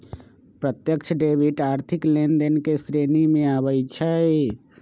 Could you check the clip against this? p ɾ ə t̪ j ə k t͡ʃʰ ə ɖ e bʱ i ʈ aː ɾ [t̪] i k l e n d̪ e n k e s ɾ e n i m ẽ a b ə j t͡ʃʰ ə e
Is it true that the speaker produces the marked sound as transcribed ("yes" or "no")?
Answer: no